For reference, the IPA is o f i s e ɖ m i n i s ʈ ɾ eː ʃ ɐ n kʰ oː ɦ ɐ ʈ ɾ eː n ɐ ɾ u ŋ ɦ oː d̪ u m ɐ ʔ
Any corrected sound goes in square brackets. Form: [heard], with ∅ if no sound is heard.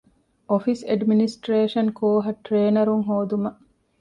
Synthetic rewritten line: o f i s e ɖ m i n i s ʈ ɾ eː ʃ ɐ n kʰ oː ɦ ɐ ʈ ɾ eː n ɐ ɾ u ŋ ɦ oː d̪ u m ɐ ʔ